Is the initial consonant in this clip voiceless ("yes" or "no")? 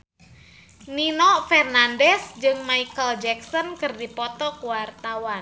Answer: no